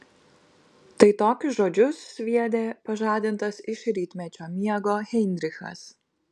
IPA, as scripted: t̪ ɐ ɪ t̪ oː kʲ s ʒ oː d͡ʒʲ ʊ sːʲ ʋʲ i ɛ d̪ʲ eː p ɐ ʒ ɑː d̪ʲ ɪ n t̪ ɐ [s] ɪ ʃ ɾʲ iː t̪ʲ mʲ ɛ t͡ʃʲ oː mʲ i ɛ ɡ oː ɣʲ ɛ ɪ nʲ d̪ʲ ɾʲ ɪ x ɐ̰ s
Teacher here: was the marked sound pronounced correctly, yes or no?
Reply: yes